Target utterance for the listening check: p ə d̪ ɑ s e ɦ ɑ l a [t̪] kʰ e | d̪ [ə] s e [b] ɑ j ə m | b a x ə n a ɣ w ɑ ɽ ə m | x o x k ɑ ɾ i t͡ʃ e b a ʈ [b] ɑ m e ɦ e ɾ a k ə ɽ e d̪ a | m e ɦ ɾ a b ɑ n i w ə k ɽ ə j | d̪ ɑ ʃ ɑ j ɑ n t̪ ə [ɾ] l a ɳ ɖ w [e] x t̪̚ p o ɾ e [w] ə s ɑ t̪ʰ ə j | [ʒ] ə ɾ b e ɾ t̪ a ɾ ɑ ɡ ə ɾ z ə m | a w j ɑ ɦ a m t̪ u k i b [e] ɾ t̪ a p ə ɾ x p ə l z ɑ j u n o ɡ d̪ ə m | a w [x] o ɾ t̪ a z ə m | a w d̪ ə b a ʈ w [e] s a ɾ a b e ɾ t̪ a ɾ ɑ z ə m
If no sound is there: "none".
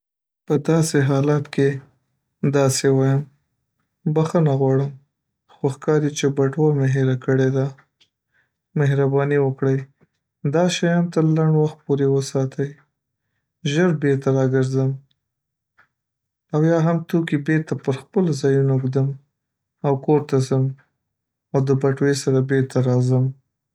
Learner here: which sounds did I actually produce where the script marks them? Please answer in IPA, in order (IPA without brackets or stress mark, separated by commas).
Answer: t̪, ɑ, w, w, ɾ, a, w, ʒ, e, k, e